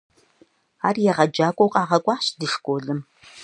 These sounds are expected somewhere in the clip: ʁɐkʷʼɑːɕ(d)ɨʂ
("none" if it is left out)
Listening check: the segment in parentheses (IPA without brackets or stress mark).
d